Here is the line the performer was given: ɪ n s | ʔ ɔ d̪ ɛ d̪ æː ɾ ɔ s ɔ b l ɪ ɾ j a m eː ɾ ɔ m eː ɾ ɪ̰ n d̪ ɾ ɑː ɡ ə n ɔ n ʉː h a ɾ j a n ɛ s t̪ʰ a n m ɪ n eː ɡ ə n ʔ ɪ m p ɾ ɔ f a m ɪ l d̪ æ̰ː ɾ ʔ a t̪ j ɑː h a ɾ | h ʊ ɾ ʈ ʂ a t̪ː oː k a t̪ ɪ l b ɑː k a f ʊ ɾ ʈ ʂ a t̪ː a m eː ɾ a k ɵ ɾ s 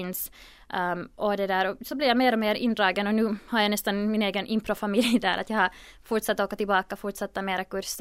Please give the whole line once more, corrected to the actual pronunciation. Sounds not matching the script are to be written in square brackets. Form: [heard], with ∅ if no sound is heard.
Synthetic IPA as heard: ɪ n s | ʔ ɔ d̪ ɛ d̪ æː ɾ ɔ s ɔ b l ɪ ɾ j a m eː ɾ ɔ m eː ɾ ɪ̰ n d̪ ɾ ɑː ɡ ə n ɔ n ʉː h a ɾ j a n ɛ s [t̪] a n m ɪ n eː ɡ ə n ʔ ɪ m p ɾ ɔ f a m ɪ l d̪ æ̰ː ɾ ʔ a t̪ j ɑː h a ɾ | [f] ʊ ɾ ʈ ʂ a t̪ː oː k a t̪ ɪ l b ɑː k a f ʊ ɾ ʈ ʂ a t̪ː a m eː ɾ a k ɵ ɾ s